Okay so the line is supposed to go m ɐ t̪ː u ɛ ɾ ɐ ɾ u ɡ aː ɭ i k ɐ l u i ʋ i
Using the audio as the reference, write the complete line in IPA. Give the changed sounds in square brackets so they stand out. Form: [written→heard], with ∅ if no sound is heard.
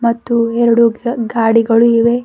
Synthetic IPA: m ɐ t̪ː u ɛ ɾ ɐ [ɾ→ɽ] u ɡ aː [ɭ→ɽ] i [k→ɡ] ɐ [l→ɭ] u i ʋ [i→e]